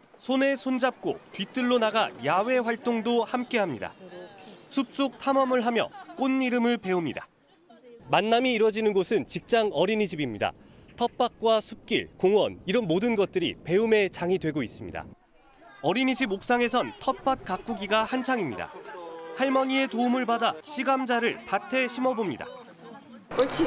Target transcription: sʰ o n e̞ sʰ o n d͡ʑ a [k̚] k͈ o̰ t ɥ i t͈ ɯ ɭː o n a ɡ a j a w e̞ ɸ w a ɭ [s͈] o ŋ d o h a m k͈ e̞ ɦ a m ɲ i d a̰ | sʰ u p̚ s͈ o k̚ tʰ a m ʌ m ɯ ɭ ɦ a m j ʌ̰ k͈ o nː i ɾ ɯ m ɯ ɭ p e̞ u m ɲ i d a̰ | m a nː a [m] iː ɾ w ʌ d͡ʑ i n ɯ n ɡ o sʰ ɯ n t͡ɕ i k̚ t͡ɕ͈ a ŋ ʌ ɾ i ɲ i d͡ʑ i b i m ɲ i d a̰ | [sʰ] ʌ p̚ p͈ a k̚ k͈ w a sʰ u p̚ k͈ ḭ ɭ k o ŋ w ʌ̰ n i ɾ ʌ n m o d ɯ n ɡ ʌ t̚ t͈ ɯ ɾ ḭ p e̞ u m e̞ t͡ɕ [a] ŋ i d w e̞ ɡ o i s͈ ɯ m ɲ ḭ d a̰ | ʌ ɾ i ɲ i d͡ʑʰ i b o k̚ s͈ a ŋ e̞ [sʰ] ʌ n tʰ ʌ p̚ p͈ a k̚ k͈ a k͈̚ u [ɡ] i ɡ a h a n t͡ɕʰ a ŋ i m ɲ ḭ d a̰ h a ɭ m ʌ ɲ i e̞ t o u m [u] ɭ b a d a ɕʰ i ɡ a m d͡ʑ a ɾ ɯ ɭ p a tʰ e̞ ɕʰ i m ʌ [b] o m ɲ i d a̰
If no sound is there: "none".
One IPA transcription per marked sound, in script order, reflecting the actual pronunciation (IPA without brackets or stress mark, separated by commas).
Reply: p̚, t͈, m, tʰ, a, sʰ, ɡ, ɯ, b